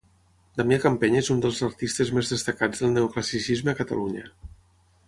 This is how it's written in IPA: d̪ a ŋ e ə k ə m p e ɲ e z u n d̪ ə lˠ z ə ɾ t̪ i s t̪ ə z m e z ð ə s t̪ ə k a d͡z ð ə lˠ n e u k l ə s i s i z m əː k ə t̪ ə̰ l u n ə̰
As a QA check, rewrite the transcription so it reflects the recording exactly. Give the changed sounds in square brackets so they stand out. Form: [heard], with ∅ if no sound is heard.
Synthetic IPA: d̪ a [m] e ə k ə m p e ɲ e z u n d̪ ə lˠ z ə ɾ t̪ i s t̪ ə z m e z ð ə s t̪ ə k a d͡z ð ə lˠ n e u k l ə s i s i z m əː k ə t̪ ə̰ l u [ɲ] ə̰